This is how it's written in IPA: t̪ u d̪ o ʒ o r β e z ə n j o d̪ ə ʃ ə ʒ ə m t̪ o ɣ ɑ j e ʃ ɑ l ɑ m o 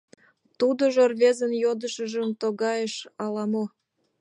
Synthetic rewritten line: t̪ u d̪ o ʒ o r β e z ə n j o d̪ ə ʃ ə ʒ ə m t̪ o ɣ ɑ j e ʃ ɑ l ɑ m o